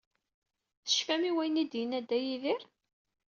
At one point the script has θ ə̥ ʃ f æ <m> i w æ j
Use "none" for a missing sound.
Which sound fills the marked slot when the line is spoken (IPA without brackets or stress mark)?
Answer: m